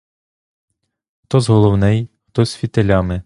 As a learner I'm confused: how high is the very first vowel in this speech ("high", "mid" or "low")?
mid